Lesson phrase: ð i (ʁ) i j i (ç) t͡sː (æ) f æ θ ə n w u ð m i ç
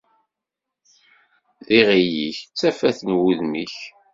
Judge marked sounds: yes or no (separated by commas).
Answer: yes, yes, yes